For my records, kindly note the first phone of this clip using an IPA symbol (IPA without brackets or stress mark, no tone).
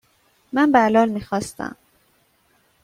m